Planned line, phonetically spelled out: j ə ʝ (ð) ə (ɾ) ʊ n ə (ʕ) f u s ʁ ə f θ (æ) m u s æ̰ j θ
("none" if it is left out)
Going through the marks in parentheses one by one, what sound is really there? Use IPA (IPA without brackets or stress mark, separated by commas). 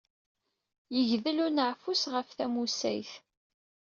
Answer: ð, l, ʕ, æ